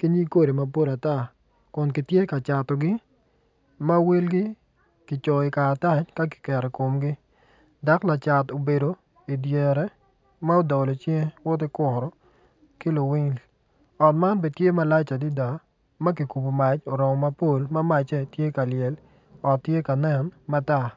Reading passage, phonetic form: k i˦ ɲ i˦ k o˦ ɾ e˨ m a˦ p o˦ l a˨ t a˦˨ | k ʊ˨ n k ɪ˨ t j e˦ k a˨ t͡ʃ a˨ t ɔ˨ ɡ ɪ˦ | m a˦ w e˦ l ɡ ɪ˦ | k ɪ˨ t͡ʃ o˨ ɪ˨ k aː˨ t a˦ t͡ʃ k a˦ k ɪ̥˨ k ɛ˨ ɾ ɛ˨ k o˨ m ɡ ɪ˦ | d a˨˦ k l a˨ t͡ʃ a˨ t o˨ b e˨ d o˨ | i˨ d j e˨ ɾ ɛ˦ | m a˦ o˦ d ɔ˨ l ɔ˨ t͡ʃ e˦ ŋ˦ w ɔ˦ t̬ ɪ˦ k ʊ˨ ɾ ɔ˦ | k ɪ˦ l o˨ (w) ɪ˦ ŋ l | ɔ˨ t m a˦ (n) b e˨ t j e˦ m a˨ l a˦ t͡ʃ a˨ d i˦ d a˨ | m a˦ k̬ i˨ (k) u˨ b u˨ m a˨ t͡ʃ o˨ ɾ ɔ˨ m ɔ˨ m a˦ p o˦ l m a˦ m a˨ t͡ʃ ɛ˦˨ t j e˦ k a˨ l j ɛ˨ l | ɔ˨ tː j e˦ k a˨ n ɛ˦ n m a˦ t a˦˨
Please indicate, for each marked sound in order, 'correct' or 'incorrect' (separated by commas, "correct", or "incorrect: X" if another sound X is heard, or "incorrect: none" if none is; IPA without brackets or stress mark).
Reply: correct, correct, correct